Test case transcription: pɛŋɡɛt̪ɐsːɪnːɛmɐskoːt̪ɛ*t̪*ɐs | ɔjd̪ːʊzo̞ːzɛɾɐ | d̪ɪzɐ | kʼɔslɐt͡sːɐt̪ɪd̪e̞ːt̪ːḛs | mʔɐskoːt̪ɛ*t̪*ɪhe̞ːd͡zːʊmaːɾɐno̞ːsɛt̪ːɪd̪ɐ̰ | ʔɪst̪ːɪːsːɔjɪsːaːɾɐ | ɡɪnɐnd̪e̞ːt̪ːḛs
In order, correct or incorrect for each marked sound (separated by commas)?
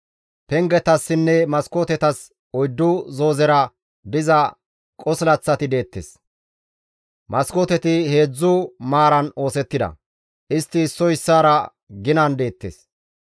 correct, correct